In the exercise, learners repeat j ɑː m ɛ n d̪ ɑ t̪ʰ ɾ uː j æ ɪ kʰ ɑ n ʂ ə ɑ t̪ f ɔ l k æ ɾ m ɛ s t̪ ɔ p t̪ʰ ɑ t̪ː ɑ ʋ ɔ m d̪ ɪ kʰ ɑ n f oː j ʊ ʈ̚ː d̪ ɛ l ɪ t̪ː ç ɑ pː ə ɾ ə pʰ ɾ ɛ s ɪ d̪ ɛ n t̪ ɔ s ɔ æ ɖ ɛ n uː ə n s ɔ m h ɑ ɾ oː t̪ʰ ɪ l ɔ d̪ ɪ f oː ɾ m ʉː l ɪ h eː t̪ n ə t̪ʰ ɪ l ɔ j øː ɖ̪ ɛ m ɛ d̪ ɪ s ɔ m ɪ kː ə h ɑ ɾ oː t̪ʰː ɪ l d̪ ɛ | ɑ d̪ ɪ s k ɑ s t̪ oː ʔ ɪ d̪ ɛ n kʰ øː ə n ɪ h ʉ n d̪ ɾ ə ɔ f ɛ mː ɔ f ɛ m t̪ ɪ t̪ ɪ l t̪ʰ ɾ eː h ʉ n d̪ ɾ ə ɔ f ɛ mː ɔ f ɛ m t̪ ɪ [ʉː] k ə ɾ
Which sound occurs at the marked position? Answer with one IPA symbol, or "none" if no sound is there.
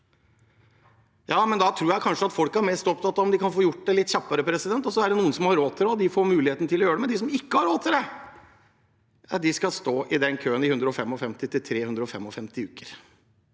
ʉː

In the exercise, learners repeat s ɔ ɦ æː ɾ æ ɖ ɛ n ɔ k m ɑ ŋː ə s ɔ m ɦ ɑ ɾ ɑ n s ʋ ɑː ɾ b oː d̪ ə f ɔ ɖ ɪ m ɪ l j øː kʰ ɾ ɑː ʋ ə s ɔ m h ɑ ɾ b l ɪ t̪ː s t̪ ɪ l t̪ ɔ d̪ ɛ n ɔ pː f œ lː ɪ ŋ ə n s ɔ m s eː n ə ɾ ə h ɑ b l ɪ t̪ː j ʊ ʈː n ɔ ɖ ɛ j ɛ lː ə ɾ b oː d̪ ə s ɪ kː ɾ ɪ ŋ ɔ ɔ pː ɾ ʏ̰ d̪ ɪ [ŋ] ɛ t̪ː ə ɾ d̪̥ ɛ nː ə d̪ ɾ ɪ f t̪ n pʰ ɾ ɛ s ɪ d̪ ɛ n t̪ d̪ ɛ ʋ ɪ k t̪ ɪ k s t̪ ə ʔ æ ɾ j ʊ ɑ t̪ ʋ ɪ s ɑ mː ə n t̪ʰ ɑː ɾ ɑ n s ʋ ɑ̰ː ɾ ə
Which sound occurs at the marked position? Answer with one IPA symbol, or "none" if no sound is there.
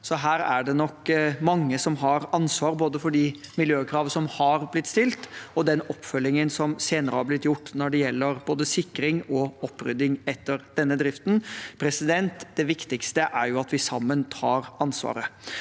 ŋ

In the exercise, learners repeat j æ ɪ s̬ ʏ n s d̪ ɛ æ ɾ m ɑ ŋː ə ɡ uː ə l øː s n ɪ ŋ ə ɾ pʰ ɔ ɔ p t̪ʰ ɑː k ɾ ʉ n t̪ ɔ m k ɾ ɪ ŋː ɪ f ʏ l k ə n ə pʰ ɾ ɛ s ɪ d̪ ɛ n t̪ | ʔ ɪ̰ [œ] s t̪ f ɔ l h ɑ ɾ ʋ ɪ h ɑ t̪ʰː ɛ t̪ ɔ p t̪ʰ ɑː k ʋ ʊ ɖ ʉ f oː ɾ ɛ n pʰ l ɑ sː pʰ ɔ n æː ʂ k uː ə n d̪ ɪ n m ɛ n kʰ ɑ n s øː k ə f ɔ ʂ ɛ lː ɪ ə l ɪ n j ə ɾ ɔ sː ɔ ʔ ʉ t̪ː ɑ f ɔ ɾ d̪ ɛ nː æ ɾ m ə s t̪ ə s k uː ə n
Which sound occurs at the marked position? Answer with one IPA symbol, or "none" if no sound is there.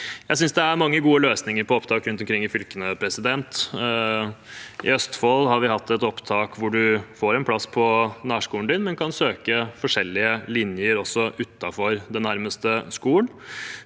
œ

